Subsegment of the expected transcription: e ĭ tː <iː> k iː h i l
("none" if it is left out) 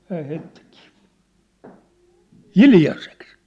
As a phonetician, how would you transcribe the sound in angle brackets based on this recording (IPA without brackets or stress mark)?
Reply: i